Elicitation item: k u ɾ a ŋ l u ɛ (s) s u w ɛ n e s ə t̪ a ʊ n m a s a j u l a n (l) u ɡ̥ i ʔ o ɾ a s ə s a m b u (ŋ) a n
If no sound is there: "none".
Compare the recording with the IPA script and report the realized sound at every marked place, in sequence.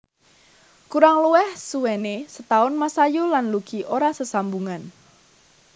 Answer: h, l, ŋ

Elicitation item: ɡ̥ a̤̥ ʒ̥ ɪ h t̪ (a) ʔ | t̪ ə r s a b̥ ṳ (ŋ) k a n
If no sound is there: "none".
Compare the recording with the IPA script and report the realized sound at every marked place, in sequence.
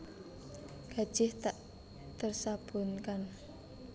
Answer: a, n

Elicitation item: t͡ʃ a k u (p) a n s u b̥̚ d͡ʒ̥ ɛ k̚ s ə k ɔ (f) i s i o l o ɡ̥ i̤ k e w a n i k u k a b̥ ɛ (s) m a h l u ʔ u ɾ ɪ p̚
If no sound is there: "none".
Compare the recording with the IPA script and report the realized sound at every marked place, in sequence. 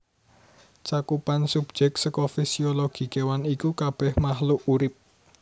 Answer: p, f, h

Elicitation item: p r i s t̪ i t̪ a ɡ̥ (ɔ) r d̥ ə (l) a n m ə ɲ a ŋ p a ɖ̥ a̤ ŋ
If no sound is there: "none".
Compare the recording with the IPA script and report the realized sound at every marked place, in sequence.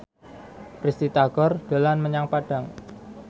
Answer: ɔ, l

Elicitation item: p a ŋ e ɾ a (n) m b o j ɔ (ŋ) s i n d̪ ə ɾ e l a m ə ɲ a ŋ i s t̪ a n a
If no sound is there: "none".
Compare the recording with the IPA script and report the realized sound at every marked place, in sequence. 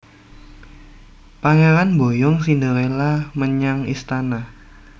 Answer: n, ŋ

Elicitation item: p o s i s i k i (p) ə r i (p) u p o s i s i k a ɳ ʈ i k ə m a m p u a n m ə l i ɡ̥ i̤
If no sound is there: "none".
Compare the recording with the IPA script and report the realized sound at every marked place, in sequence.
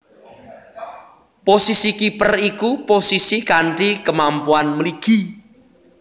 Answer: p, k

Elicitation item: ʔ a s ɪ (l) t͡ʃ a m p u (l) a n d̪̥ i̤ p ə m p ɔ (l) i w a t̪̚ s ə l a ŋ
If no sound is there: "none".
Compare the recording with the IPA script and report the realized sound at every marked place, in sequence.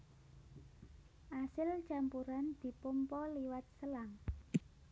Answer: l, ɾ, l

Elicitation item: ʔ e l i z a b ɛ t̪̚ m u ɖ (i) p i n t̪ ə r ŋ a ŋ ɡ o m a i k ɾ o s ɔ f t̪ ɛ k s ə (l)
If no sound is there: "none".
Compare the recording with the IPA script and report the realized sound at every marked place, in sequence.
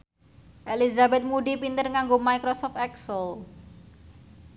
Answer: i, l

